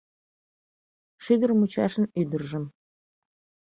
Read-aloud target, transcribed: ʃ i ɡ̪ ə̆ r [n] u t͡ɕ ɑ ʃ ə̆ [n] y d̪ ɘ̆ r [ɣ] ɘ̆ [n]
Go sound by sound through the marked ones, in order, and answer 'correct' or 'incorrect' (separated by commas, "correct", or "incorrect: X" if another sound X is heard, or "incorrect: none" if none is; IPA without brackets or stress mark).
incorrect: m, correct, incorrect: ʒ, incorrect: m